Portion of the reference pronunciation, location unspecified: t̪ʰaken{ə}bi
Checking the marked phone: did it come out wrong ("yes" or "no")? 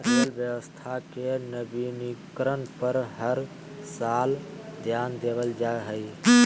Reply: no